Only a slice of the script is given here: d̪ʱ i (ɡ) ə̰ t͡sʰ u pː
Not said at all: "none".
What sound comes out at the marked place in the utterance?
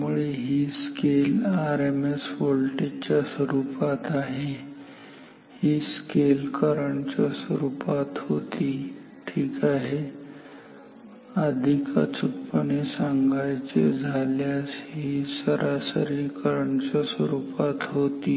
k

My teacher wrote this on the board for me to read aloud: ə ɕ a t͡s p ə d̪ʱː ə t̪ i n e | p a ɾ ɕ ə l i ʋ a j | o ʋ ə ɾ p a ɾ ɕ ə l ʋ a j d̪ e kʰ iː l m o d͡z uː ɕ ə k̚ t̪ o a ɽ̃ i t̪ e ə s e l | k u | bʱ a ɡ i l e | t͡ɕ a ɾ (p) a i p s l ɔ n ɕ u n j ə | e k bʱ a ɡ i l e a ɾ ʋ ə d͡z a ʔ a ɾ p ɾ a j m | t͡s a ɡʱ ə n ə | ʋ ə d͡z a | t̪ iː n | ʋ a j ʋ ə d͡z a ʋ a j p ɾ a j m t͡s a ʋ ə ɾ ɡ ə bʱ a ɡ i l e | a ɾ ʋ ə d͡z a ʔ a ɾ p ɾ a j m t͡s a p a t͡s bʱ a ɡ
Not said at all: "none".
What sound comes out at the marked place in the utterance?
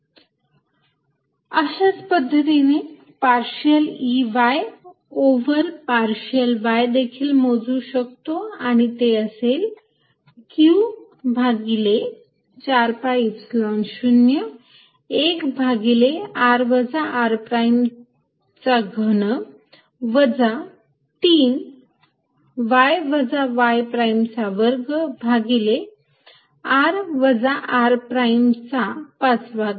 p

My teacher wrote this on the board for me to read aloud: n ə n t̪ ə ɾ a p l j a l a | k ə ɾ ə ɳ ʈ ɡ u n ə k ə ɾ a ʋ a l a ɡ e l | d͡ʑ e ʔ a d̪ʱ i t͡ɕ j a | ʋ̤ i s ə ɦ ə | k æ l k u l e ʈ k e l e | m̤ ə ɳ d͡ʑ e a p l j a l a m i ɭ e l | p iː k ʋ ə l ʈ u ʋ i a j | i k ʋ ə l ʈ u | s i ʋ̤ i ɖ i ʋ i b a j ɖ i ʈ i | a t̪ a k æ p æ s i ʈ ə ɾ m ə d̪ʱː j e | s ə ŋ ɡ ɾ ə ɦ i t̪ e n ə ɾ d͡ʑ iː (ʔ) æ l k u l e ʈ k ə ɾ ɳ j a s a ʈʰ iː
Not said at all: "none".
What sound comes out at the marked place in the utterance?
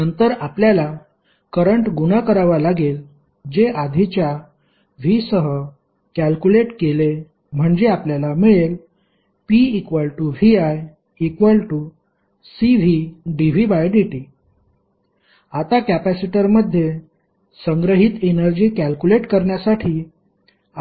k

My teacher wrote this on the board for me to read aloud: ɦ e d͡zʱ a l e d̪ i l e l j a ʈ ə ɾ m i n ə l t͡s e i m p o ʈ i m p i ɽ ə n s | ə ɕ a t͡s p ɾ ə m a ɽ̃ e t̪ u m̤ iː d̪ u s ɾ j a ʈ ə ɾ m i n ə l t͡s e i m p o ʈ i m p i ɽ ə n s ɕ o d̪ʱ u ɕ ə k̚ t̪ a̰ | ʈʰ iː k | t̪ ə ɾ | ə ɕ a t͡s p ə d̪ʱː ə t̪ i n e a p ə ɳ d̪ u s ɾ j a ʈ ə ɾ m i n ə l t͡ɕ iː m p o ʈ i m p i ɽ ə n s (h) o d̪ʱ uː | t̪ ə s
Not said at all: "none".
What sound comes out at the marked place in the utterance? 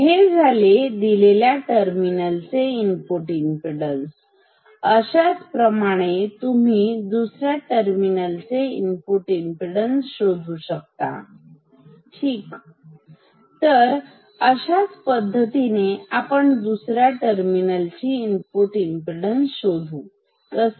ɕ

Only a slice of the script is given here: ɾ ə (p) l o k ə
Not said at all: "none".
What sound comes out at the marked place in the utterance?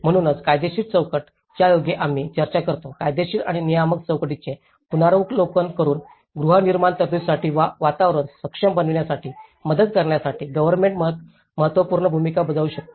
k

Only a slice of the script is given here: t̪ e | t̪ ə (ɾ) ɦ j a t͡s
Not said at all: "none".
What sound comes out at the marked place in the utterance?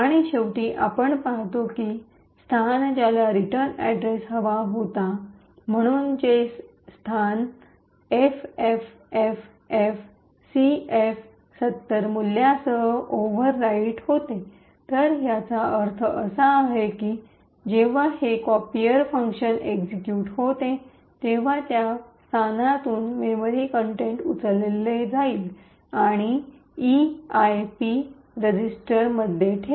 ɾ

